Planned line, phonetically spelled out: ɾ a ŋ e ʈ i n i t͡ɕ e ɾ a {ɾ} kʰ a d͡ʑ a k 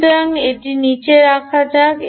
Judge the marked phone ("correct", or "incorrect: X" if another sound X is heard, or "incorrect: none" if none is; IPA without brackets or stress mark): incorrect: none